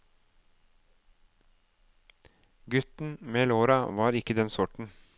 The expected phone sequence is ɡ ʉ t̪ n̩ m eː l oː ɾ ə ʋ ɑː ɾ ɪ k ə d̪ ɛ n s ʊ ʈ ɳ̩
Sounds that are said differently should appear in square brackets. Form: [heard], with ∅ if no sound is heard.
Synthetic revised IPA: ɡ ʉ t̪ n̩ m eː l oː ɾ [ɑ] ʋ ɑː ɾ ɪ k ə d̪ ɛ n s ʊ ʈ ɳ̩